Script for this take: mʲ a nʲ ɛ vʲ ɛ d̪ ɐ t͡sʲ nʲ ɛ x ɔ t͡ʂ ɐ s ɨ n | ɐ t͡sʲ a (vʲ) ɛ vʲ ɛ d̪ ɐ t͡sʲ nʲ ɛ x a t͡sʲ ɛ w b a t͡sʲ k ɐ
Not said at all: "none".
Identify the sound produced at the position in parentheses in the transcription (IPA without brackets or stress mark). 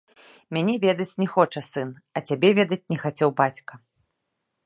bʲ